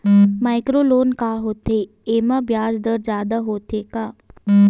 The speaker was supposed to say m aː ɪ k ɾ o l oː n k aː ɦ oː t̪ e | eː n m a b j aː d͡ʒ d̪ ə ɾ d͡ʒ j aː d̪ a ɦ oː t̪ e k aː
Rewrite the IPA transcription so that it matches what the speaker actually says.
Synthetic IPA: m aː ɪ k ɾ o l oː n k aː ɦ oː t̪ e | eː m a b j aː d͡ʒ d̪ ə ɾ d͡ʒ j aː d̪ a ɦ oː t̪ e k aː